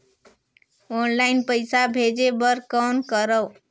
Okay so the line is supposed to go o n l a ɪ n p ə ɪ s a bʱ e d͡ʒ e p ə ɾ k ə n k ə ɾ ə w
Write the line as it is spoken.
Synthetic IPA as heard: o n l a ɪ n p ə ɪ s a bʱ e d͡ʒ e b ə ɾ k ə n k ə ɾ ə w